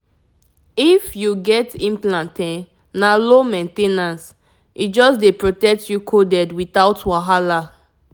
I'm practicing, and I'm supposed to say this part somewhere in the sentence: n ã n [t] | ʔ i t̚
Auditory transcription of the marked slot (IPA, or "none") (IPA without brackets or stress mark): s